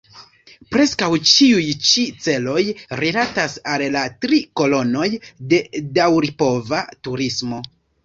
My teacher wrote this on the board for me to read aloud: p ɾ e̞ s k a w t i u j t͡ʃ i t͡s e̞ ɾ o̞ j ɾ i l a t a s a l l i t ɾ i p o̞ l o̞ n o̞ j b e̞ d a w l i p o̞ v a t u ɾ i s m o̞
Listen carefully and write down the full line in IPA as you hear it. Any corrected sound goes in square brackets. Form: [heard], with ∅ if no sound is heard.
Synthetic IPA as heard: p ɾ e̞ s k a w [t͡ʃ] i u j t͡ʃ i t͡s e̞ [l] o̞ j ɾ i l a t a s a l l [a] t ɾ i [k] o̞ l o̞ n o̞ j [d] e̞ d a w [ɾ] i p o̞ v a t u ɾ i s m o̞

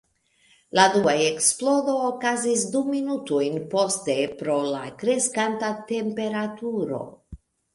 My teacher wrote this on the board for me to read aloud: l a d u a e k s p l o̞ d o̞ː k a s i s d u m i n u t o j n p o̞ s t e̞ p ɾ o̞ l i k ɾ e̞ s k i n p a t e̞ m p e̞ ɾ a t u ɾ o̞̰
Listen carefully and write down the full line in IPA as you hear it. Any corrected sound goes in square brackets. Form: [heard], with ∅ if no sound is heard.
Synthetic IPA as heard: l a d u a e k s p l o̞ d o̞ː k a [z] i s d u m i n u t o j n p o̞ s t e̞ p ɾ o̞ l [a] k ɾ e̞ s k [a] n [t] a t e̞ m p e̞ ɾ a t u ɾ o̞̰

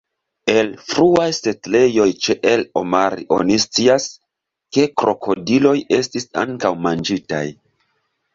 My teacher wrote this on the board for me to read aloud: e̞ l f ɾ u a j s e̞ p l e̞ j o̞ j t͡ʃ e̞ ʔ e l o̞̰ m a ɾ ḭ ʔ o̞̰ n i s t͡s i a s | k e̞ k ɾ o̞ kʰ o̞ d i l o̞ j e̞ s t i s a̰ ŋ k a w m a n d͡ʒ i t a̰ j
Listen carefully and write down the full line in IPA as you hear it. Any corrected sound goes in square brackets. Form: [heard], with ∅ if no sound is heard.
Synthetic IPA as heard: e̞ l f ɾ u a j s e̞ [t] l e̞ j o̞ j t͡ʃ e̞ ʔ e l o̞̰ m a ɾ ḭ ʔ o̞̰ n i s t͡s i a s | k e̞ k ɾ o̞ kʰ o̞ d i l o̞ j e̞ s t i s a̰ ŋ k a w m a n d͡ʒ i t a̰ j

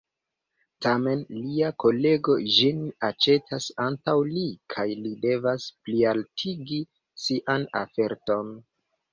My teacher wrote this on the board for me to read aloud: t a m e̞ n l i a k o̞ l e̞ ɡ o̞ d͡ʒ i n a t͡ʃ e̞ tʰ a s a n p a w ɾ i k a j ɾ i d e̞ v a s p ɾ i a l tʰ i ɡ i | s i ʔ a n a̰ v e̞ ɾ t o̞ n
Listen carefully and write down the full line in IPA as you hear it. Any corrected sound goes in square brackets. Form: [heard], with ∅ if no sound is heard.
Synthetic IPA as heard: t a m e̞ n l i a k o̞ l e̞ ɡ o̞ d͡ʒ i n a t͡ʃ e̞ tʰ a s a n [t] a w [l] i [kʰ] a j [l] i d e̞ v a s p [l] i a l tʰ i ɡ i | s i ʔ a n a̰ [f] e̞ ɾ t o̞ n

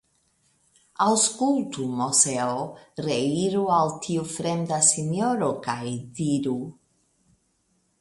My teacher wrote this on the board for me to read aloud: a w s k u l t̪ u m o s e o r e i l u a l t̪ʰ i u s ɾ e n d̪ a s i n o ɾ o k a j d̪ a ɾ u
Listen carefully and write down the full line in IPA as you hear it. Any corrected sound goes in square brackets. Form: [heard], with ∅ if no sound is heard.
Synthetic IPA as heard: a w s k u l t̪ u m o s e o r e i [ɾ] u a l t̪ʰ i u [f] ɾ e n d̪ a s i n o ɾ o k a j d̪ [i] ɾ u

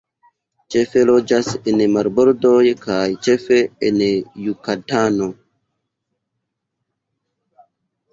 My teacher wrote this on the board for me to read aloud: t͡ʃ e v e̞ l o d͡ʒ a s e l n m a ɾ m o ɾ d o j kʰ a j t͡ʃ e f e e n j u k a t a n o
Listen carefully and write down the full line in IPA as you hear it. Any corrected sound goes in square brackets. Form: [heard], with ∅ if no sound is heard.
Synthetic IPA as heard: t͡ʃ e [f] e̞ l o d͡ʒ a s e [∅] n m a ɾ [b] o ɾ d o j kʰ a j t͡ʃ e f e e n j u k a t a n o

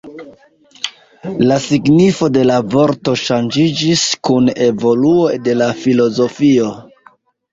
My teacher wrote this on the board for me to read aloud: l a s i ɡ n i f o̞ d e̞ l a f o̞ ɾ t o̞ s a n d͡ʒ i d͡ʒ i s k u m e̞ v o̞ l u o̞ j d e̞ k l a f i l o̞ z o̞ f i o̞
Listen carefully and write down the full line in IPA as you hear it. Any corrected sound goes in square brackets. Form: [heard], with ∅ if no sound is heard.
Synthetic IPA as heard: l a s i ɡ n i f o̞ d e̞ l a [v] o̞ ɾ t o̞ [ʃ] a n d͡ʒ i d͡ʒ i s k u [n] e̞ v o̞ l u o̞ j d e̞ [∅] l a f i l o̞ z o̞ f i o̞

